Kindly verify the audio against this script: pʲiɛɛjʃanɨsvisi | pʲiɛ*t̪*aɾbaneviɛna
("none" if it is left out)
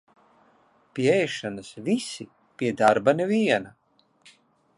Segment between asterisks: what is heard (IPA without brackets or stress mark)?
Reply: d̪